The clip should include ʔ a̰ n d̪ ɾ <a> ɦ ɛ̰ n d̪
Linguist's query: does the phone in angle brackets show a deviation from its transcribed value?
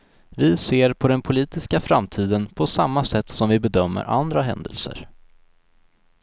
no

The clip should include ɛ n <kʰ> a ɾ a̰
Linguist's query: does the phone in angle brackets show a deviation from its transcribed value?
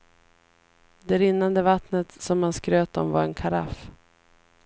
no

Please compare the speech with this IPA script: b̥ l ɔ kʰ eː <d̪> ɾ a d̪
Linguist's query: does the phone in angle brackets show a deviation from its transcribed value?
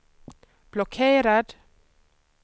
yes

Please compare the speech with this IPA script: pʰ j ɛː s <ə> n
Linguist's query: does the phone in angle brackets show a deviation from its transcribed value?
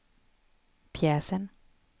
no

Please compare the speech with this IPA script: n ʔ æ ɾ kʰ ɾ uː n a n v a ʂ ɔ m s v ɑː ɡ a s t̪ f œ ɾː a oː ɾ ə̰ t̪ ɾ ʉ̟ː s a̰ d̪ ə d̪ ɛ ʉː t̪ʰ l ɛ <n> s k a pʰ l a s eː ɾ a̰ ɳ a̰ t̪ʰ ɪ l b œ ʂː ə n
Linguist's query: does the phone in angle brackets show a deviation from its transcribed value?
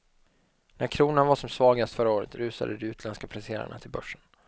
no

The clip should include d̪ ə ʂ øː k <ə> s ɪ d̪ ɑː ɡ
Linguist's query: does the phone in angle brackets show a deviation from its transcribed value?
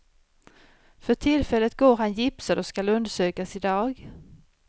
yes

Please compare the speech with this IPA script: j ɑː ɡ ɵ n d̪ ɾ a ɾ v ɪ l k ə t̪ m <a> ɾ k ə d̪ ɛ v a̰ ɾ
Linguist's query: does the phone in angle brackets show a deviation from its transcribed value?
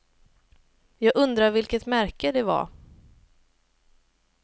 yes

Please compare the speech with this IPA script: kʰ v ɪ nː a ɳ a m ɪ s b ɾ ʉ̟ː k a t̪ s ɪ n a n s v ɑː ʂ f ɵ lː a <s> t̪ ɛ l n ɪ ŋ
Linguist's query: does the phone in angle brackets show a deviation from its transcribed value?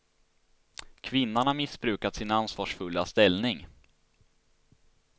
no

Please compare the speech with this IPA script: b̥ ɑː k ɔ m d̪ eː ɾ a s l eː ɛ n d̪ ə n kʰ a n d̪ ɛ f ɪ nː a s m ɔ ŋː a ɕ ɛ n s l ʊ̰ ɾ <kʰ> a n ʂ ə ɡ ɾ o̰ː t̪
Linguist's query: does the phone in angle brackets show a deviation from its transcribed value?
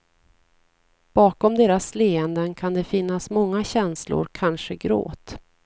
no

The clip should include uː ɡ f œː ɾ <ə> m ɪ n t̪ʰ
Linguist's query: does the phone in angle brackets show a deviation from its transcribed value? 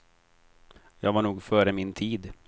no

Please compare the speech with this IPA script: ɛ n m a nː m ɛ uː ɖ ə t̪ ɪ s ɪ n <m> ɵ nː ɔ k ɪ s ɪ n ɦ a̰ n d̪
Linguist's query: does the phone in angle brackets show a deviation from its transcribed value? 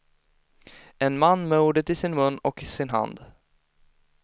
no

